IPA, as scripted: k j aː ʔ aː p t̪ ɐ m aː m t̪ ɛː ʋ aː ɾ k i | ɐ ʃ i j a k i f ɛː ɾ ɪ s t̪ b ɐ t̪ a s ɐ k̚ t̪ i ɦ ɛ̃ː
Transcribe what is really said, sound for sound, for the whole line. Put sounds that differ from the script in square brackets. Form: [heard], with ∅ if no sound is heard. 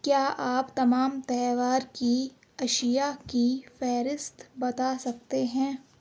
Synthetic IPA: k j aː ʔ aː p t̪ ɐ m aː m t̪ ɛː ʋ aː ɾ k i | ɐ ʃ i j a k i f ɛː ɾ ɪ s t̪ b ɐ t̪ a s ɐ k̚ t̪ [e] ɦ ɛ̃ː